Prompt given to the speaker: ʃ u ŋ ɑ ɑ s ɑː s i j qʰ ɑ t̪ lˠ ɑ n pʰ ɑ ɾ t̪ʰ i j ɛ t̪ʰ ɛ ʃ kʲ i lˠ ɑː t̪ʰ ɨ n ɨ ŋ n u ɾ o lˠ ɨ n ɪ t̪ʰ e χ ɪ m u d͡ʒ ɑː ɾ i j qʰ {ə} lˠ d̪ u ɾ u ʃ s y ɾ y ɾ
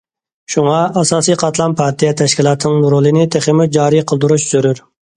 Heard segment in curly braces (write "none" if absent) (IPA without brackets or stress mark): ə